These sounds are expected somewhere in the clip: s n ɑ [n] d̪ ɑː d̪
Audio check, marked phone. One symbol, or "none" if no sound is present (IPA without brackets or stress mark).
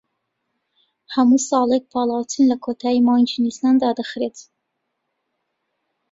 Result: n